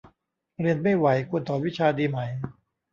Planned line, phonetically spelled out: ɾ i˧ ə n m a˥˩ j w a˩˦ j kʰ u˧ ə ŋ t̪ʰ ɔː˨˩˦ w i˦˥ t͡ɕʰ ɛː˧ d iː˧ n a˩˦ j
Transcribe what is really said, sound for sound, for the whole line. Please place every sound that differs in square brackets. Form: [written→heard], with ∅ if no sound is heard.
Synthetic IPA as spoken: ɾ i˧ ə n m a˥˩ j w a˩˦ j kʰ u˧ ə [ŋ→n] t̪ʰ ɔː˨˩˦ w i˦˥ t͡ɕʰ [ɛː˧→aː˧] d iː˧ [n→m] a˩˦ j